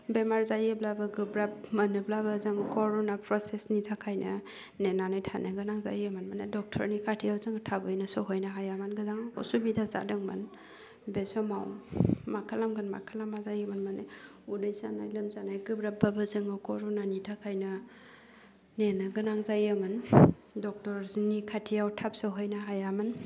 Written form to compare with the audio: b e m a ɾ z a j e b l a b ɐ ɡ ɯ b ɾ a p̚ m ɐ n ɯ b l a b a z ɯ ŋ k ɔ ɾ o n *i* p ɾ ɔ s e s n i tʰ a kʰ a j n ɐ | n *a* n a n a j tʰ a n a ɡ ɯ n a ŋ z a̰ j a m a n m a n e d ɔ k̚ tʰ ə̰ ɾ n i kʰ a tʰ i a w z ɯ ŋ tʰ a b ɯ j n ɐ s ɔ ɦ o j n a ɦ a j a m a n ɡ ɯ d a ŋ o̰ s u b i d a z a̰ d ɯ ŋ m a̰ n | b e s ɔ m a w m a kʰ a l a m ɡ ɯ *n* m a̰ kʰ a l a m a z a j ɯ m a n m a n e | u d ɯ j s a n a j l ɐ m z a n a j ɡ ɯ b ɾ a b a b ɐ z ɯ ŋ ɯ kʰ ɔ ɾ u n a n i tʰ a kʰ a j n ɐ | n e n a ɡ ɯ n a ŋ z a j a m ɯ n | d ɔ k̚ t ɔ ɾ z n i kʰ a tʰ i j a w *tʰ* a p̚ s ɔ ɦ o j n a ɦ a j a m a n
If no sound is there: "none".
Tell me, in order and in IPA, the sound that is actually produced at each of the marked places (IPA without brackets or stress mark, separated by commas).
a, e, n, tʰ